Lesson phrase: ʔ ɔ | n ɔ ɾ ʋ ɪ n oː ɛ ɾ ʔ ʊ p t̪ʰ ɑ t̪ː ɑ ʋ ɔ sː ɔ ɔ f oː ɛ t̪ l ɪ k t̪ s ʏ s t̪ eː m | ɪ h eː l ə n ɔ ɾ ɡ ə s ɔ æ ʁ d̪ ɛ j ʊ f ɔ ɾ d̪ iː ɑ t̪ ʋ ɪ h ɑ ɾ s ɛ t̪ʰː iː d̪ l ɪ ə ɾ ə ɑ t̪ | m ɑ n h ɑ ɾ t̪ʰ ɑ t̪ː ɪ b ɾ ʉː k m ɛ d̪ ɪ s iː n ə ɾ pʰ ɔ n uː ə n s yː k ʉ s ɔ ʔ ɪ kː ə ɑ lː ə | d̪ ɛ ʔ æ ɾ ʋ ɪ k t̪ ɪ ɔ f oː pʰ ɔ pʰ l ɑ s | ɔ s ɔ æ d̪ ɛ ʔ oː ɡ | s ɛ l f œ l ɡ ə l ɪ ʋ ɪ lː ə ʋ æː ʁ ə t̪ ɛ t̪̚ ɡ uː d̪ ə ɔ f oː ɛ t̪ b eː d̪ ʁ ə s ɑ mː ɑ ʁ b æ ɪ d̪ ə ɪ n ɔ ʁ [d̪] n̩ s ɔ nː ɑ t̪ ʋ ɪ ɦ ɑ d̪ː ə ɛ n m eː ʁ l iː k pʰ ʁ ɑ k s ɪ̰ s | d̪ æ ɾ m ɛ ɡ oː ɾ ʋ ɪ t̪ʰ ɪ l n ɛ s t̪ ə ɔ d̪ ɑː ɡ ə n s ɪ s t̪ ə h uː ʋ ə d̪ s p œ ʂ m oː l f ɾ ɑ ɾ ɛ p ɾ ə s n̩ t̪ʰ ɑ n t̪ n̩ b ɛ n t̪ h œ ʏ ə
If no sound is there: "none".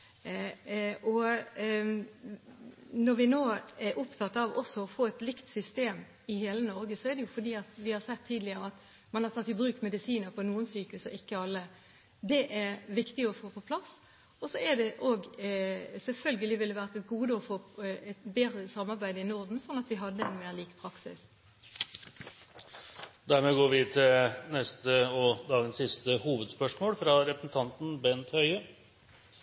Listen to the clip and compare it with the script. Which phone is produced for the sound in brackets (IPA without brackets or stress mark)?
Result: d̪